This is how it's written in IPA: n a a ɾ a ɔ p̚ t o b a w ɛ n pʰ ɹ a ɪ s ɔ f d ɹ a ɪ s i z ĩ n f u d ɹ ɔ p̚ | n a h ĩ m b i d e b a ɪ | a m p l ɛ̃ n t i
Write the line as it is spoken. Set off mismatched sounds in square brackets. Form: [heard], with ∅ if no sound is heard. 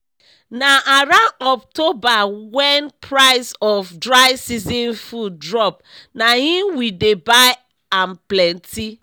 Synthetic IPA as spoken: n a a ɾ a ɔ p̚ t o b a w ɛ n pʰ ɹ a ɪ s ɔ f d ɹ a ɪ s i z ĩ n f u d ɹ ɔ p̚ | n a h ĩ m [w] i d e b a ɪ | a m p l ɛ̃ n t i